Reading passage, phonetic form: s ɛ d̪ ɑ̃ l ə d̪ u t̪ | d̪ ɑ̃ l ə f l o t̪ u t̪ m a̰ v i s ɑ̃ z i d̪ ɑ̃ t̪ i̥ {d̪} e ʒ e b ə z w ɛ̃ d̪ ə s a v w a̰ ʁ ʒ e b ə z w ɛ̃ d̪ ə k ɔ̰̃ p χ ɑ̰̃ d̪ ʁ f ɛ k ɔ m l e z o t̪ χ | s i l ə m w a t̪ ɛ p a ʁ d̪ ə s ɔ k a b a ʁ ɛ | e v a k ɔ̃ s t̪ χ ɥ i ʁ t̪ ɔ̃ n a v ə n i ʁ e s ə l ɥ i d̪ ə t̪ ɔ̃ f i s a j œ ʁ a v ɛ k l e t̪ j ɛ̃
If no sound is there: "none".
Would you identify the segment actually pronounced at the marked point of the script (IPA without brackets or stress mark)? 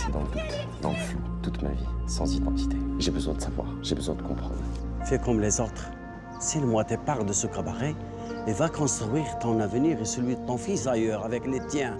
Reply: t̪